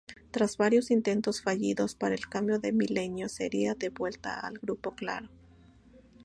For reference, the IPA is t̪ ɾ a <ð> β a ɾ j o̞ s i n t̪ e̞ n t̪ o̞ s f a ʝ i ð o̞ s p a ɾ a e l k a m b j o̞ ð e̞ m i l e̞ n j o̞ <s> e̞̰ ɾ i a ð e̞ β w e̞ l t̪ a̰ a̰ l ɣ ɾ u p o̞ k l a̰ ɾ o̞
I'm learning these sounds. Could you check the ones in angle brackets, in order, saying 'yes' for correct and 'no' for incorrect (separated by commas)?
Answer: no, yes